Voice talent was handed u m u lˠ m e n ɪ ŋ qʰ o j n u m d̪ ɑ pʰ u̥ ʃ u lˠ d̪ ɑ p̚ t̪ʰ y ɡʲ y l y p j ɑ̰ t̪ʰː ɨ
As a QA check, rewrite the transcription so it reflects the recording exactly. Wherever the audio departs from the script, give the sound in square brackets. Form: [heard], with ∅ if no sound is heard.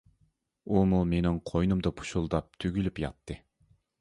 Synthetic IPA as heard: u m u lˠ m e n ɪ ŋ qʰ o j n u m d̪ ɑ pʰ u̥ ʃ u lˠ d̪ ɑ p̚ t̪ʰ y ɡʲ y l y p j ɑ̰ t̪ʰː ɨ